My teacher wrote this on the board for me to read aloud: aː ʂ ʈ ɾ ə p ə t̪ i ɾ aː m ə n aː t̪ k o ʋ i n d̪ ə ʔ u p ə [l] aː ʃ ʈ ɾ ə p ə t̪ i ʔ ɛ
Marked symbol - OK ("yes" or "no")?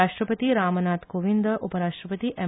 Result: no